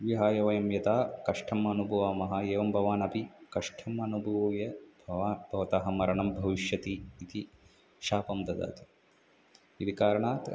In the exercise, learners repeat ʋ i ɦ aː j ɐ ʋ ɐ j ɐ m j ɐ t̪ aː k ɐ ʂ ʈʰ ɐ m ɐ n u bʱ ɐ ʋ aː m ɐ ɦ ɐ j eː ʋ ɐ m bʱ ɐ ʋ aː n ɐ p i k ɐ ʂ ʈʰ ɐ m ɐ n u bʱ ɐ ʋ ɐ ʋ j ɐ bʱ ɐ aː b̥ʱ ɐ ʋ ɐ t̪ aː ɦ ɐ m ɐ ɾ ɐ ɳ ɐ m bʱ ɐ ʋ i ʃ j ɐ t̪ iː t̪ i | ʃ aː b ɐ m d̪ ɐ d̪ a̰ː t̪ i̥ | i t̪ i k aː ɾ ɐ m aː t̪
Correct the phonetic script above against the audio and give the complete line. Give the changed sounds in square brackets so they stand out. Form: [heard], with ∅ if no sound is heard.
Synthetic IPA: ʋ i ɦ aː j ɐ ʋ ɐ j ɐ m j ɐ t̪ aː k ɐ ʂ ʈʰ ɐ m ɐ n u bʱ ɐ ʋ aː m ɐ ɦ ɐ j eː ʋ ɐ m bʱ ɐ ʋ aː n ɐ p i k ɐ ʂ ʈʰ ɐ m ɐ n u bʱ ɐ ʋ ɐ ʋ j ɐ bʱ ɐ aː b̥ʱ ɐ ʋ ɐ t̪ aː ɦ ɐ m ɐ ɾ ɐ ɳ ɐ m bʱ ɐ ʋ i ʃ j ɐ t̪ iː t̪ i | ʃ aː [p] ɐ m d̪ ɐ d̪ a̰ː t̪ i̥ | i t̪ i k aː ɾ ɐ [ɳ] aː t̪

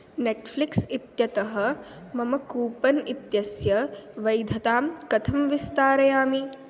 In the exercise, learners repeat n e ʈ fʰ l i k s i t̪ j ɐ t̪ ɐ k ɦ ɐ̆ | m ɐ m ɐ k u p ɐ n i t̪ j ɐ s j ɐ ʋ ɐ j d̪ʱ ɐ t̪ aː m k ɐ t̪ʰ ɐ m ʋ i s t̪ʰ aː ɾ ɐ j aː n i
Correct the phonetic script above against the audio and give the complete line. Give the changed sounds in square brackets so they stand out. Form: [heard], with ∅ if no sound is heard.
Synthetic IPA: n e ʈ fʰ l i k s i t̪ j ɐ t̪ ɐ [∅] ɦ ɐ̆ | m ɐ m ɐ k [uː] p ɐ n i t̪ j ɐ s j ɐ ʋ ɐ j d̪ʱ ɐ t̪ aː m k ɐ t̪ʰ ɐ m ʋ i s [t̪] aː ɾ ɐ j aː [m] i

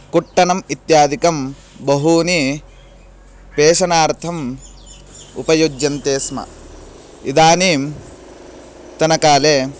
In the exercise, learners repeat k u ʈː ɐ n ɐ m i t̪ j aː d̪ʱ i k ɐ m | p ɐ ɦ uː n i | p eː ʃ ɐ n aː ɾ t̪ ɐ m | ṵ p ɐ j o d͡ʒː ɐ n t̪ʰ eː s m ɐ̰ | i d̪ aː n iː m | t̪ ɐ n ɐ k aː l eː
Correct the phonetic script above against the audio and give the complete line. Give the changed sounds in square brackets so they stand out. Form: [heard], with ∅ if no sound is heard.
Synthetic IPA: k u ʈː ɐ n ɐ m i t̪ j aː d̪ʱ i k ɐ m | [b] ɐ ɦ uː n i | p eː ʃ ɐ n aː ɾ [t̪ʰ] ɐ m | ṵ p ɐ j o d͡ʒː ɐ n [t̪] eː s m ɐ̰ | i d̪ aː n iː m | t̪ ɐ n ɐ k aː l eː

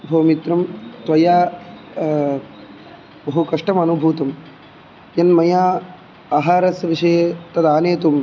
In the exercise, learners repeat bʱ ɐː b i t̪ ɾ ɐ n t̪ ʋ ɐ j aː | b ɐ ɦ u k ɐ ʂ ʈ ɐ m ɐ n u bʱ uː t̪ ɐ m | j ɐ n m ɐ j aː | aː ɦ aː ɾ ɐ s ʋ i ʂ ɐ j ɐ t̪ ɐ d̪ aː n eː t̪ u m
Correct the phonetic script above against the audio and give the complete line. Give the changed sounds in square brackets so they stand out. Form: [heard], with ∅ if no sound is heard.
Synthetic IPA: bʱ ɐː [m] i t̪ ɾ ɐ [m] t̪ ʋ ɐ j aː | b ɐ ɦ u k ɐ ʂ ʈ ɐ m ɐ n u bʱ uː t̪ ɐ m | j ɐ n m ɐ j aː | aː ɦ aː ɾ ɐ s ʋ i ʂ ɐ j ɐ t̪ ɐ d̪ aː n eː t̪ u m

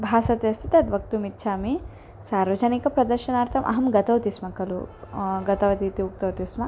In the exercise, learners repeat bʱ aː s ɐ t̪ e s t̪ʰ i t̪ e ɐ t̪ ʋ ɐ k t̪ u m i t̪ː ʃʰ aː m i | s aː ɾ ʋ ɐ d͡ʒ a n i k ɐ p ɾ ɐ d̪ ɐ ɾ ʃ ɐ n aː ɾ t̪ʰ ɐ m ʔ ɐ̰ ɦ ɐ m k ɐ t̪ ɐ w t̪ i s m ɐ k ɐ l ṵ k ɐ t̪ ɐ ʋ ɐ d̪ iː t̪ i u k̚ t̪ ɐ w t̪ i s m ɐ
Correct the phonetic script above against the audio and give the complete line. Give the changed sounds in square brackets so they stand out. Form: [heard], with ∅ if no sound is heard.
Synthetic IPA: bʱ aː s ɐ t̪ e s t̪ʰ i t̪ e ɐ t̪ ʋ ɐ k t̪ u m i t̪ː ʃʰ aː m i | s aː ɾ ʋ ɐ d͡ʒ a n i k ɐ p ɾ ɐ d̪ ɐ ɾ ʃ ɐ n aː ɾ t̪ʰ ɐ m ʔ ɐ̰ ɦ ɐ m [ɡ] ɐ t̪ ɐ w t̪ i s m ɐ k ɐ l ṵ [ɡ] ɐ t̪ ɐ ʋ ɐ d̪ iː t̪ i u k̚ t̪ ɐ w t̪ i s m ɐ

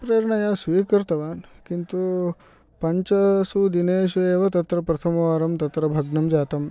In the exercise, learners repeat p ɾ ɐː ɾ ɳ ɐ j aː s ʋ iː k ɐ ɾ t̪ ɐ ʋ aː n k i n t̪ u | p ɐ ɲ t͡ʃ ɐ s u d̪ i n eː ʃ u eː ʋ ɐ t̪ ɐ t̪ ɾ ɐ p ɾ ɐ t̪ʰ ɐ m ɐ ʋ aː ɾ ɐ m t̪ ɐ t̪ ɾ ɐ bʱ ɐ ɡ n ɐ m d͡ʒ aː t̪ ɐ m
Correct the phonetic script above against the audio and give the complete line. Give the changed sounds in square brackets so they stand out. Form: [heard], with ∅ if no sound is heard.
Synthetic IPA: p ɾ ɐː ɾ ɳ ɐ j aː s ʋ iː k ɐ ɾ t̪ ɐ ʋ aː n k i n t̪ u | p ɐ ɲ t͡ʃ ɐ s u d̪ i n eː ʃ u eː ʋ ɐ t̪ ɐ t̪ ɾ ɐ p ɾ ɐ t̪ʰ ɐ m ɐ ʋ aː ɾ ɐ m t̪ ɐ t̪ ɾ ɐ bʱ ɐ ɡ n ɐ m d͡ʒ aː t̪ ɐ m

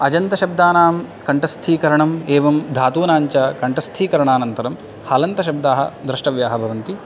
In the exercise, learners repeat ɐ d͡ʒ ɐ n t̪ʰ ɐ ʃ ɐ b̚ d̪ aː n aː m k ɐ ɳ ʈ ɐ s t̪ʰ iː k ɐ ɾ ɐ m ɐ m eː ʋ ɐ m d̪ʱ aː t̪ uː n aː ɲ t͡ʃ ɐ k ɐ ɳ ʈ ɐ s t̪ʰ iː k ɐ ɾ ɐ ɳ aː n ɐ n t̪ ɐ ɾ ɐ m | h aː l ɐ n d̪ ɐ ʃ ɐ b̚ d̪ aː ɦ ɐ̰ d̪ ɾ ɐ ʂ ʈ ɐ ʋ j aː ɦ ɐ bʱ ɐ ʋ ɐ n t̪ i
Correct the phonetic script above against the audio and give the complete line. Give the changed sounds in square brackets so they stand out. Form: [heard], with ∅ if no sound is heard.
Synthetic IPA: ɐ d͡ʒ ɐ n [t̪] ɐ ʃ ɐ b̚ d̪ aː n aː m k ɐ ɳ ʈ ɐ s t̪ʰ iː k ɐ ɾ ɐ [ɳ] ɐ m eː ʋ ɐ m d̪ʱ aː t̪ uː n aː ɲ t͡ʃ ɐ k ɐ ɳ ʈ ɐ s t̪ʰ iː k ɐ ɾ ɐ ɳ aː n ɐ n t̪ ɐ ɾ ɐ m | h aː l ɐ n [t̪] ɐ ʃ ɐ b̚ d̪ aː ɦ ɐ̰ d̪ ɾ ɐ ʂ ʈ ɐ ʋ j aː ɦ ɐ bʱ ɐ ʋ ɐ n t̪ i

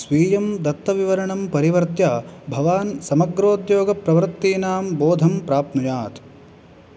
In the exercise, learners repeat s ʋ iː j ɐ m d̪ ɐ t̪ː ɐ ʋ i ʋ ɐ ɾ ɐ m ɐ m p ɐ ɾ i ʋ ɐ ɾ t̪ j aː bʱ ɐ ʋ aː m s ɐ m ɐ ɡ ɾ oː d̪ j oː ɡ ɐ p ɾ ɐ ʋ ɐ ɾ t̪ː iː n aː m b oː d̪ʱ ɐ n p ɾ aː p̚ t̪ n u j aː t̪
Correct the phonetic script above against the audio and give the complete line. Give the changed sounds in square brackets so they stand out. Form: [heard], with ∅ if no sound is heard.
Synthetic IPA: s ʋ iː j ɐ m d̪ ɐ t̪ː ɐ ʋ i ʋ ɐ ɾ ɐ [ɳ] ɐ m p ɐ ɾ i ʋ ɐ ɾ t̪ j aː bʱ ɐ ʋ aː [n] s ɐ m ɐ ɡ ɾ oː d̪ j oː ɡ ɐ p ɾ ɐ ʋ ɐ ɾ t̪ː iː n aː m b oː d̪ʱ ɐ [m] p ɾ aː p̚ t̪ n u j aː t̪

